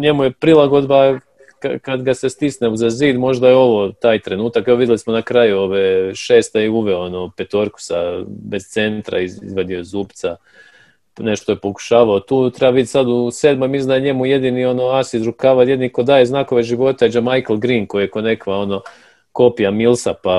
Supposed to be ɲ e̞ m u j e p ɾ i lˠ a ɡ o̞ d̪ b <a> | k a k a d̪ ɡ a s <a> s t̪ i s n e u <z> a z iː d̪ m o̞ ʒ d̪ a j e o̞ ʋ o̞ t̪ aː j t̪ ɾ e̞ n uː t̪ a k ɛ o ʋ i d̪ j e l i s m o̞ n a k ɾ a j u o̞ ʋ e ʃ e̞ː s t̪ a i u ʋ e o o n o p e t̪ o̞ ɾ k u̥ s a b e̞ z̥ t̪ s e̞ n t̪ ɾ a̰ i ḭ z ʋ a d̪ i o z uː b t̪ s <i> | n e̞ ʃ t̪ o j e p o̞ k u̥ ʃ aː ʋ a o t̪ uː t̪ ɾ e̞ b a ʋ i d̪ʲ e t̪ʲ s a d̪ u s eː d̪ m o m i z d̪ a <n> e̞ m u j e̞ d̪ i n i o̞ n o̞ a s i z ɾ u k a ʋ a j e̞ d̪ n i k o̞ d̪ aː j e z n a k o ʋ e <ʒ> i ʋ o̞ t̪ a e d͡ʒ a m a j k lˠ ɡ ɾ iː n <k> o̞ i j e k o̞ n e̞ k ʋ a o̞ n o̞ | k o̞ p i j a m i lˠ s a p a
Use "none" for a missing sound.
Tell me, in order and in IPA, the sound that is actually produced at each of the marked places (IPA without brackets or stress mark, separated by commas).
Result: a, e, z, a, ɲ, ʒ, k